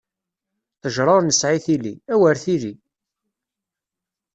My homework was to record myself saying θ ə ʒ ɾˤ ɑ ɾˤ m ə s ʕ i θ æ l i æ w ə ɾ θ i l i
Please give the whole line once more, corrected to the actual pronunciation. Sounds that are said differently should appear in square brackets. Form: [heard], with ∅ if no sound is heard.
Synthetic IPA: θ ə ʒ ɾˤ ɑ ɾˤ [n] ə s ʕ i θ [i] l i æ w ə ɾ θ i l i

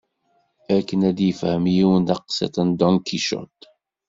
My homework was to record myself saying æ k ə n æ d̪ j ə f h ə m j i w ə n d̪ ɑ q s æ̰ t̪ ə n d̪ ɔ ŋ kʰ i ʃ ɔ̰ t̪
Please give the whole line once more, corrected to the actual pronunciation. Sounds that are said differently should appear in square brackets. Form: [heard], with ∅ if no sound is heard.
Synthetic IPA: æ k ə n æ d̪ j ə f h ə m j i w ə n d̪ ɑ q s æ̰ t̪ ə n d̪ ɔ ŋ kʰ i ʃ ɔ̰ t̪

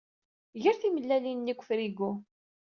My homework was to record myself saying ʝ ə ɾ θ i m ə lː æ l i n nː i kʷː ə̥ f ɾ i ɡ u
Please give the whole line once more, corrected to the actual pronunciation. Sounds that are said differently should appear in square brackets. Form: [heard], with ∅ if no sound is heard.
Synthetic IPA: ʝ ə ɾ θ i m ə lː æ l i n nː i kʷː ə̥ f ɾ i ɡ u

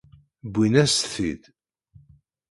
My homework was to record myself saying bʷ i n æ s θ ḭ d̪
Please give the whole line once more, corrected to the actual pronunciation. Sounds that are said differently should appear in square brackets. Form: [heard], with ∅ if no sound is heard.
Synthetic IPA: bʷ i n æ s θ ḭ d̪

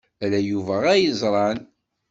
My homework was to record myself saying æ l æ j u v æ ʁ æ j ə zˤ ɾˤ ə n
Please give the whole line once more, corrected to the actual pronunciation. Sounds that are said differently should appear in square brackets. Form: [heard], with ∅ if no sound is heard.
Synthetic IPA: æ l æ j u v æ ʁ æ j ə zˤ ɾˤ [ɑ] n

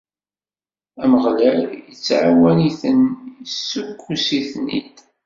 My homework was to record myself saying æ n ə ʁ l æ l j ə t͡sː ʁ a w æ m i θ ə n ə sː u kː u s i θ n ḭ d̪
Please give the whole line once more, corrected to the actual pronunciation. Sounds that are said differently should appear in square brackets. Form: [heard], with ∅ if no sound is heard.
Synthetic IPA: æ [m] ə ʁ l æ l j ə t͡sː [ʕ] a w æ [n] i θ ə n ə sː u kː u s i θ n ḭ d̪

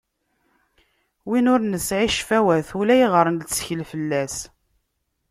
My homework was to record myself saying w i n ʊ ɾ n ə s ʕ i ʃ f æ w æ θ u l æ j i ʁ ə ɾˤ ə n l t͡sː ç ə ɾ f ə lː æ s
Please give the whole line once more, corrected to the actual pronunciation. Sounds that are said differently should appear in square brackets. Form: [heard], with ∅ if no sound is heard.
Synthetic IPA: w i n ʊ ɾ n ə s ʕ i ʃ f æ w æ θ u l æ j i ʁ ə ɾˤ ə n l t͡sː ç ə [l] f ə lː æ s

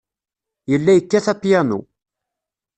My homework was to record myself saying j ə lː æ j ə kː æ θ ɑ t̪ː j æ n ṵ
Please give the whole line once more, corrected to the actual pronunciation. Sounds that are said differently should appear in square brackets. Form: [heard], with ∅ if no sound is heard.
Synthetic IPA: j ə lː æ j ə kː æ θ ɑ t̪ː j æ n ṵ

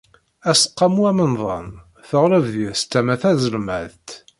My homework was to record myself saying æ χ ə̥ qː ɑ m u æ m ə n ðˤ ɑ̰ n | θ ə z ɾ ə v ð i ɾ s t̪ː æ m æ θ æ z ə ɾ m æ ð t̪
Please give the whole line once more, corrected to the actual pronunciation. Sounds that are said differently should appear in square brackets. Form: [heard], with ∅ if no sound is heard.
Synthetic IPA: æ [s] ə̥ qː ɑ m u æ m ə n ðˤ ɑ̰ n | θ ə [ʁ] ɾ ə v ð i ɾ s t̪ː æ m æ θ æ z ə [l] m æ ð t̪

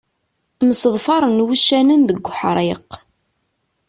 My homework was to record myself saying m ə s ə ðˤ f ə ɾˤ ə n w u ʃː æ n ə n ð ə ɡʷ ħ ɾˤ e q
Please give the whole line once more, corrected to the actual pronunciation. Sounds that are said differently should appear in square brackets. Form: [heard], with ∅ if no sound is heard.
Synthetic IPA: m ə s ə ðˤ f [ɑ] ɾˤ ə n w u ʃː æ n ə n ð ə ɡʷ ħ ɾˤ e q

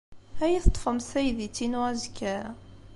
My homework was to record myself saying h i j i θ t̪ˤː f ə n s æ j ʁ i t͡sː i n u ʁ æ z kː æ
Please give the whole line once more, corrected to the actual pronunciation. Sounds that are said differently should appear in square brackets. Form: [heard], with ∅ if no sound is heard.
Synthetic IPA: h [æ] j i θ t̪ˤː f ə [m] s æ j [ð] i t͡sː i n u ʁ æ z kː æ

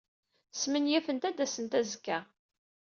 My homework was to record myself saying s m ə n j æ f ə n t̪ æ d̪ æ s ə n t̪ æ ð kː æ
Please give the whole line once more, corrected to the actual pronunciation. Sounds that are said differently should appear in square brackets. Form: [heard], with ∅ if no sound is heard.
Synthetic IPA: s m ə n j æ f ə n t̪ æ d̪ æ s ə n t̪ æ [z] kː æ

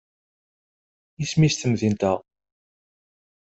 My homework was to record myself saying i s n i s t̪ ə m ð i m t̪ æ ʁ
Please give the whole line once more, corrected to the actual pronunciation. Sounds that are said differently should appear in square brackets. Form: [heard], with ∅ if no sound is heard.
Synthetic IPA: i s [m] i s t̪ ə m ð i [n] t̪ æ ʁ

